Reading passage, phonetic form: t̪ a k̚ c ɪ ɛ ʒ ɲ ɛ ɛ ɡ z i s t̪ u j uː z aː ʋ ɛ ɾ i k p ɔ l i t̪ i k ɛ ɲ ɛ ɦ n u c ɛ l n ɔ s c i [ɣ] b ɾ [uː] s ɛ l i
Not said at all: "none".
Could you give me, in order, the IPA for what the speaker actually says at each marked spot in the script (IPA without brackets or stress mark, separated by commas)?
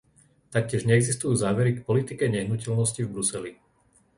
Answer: v, u